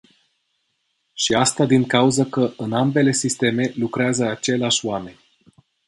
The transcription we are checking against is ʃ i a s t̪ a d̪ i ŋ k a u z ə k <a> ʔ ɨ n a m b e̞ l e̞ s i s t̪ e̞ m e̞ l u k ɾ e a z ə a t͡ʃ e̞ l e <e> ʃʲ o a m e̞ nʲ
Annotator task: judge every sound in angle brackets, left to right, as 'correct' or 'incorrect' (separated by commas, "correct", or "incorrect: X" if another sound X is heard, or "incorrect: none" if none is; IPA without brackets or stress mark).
incorrect: ə, incorrect: a